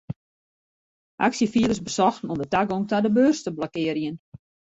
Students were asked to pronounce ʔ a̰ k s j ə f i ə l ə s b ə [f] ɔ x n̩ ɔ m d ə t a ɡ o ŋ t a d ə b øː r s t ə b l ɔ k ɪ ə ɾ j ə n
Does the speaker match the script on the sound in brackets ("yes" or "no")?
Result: no